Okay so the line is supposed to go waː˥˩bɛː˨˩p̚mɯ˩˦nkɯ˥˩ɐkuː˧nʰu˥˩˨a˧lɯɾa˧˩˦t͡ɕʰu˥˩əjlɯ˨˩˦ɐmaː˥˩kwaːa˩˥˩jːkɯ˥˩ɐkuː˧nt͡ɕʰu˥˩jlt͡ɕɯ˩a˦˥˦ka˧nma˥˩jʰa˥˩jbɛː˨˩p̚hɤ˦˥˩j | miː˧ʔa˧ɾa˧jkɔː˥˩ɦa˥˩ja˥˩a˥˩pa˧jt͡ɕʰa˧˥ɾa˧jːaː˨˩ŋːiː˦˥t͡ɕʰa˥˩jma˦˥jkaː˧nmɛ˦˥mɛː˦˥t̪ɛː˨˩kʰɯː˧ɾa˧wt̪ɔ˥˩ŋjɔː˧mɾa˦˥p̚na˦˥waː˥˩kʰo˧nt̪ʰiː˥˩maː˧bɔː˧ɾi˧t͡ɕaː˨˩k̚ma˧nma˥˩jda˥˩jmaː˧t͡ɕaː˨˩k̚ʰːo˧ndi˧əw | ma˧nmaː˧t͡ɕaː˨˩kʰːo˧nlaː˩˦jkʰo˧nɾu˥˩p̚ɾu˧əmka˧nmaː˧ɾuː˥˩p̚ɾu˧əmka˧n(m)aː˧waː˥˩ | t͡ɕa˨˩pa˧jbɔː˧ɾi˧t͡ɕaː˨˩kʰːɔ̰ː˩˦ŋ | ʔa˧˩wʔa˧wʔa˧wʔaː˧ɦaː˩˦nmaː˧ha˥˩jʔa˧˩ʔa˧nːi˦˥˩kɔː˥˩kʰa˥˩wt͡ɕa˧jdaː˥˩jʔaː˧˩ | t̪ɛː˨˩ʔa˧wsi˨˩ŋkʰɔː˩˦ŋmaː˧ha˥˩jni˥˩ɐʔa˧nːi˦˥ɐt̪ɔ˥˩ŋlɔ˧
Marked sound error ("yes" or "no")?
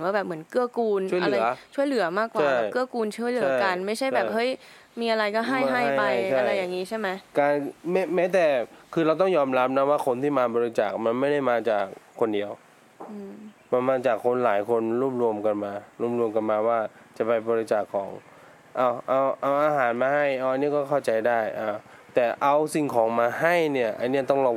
no